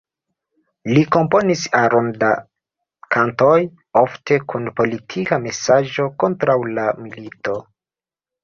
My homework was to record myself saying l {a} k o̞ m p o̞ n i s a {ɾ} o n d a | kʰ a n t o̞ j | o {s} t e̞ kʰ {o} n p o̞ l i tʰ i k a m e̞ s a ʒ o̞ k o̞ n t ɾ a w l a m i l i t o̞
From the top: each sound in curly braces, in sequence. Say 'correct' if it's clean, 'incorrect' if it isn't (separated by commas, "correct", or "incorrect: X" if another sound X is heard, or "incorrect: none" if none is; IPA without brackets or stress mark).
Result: incorrect: i, correct, incorrect: f, incorrect: u